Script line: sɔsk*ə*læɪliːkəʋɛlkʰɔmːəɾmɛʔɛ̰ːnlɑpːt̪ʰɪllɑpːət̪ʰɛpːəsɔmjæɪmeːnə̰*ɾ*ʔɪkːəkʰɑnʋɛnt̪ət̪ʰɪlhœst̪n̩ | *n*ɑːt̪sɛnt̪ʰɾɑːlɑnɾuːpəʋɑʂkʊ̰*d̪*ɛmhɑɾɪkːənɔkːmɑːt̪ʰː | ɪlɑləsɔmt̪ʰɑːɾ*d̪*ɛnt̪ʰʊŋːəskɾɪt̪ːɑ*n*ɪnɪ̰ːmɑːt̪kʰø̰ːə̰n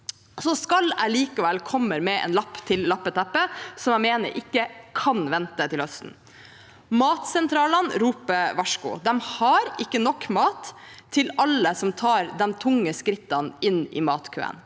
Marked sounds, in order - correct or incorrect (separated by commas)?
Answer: incorrect, correct, incorrect, correct, correct, correct